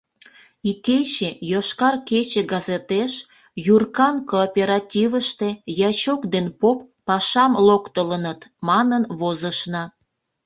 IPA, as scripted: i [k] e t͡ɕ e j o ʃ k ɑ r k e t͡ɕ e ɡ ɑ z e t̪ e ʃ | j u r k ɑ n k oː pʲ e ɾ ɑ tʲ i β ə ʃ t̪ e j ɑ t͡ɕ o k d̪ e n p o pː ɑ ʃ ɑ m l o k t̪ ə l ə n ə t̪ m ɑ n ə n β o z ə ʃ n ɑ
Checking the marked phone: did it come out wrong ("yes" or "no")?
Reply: no